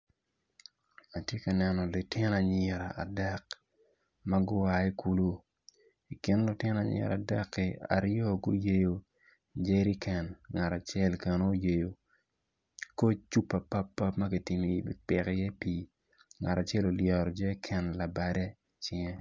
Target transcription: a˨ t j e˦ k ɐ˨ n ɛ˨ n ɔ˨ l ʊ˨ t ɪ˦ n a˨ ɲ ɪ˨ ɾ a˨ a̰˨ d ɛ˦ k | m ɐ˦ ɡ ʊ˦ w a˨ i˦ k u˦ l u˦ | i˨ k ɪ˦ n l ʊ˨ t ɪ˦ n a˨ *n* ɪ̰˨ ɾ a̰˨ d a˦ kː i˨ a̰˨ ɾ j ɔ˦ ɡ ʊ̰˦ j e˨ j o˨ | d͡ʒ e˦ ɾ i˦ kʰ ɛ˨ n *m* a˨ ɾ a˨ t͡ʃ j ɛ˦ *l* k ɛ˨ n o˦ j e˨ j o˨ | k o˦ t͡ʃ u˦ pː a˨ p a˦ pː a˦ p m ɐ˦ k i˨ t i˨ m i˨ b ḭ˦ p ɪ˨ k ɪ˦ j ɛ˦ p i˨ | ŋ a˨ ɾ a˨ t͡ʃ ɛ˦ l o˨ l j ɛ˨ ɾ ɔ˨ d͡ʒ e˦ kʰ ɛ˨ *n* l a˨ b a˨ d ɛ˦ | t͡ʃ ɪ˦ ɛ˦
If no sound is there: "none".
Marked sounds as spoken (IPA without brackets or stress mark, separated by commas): ɲ, ŋ, l, n